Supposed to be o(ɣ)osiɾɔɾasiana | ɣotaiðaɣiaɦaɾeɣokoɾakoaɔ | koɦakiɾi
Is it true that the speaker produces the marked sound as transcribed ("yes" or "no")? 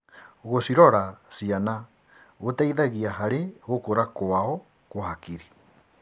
yes